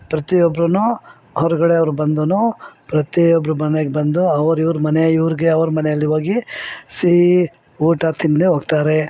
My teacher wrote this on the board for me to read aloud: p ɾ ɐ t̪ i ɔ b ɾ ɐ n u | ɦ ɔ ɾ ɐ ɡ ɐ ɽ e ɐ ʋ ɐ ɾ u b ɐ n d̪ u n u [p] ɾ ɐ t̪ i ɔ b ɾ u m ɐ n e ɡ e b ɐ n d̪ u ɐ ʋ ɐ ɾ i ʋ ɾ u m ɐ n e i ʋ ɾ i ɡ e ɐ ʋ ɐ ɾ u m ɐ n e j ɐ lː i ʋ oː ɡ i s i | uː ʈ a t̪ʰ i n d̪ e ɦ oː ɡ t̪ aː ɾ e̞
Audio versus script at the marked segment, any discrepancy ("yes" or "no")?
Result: no